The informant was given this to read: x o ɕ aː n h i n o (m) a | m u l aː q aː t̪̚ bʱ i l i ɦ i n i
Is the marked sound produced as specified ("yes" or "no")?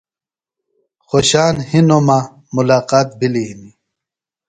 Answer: yes